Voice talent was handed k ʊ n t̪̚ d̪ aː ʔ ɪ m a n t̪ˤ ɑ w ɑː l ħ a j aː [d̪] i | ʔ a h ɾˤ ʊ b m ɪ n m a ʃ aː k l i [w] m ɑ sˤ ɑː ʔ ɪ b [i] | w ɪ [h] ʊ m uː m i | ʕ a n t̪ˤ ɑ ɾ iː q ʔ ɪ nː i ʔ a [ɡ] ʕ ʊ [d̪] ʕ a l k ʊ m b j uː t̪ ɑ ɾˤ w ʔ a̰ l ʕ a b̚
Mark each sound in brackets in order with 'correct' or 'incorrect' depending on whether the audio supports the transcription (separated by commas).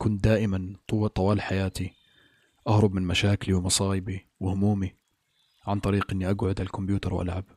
incorrect, correct, correct, correct, correct, correct